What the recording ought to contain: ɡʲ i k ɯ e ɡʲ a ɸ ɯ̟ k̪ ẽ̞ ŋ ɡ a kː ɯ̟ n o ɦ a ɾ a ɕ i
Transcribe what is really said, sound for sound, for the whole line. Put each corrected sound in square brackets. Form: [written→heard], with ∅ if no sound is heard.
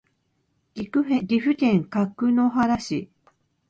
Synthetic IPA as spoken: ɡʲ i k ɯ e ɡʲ [a→i] ɸ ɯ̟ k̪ ẽ̞ ŋ [ɡ→k] a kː ɯ̟ n o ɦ a ɾ a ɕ i